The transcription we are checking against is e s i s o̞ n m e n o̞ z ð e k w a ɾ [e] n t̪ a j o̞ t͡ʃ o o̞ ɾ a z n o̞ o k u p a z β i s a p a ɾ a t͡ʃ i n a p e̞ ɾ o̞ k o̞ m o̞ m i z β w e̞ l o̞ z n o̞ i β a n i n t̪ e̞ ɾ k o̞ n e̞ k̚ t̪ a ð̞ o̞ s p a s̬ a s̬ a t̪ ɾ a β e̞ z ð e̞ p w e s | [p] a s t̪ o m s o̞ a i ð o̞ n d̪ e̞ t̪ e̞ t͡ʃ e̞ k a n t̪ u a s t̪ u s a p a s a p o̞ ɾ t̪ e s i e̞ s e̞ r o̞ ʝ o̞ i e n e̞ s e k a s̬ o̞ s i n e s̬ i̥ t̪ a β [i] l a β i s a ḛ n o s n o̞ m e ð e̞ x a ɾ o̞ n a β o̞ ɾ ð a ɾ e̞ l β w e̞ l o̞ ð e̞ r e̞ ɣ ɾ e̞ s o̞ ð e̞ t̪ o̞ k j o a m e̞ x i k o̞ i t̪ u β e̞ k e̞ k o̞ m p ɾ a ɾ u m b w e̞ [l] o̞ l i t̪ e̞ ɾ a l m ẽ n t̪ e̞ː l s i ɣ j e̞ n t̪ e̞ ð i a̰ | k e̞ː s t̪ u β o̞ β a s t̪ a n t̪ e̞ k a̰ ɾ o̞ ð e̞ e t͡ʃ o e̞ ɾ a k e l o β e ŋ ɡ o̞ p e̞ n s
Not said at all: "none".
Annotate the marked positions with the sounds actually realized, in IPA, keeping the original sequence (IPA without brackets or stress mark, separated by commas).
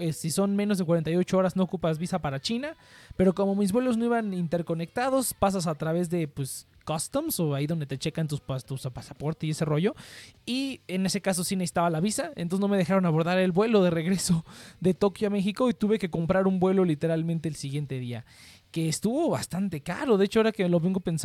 e, k, a, l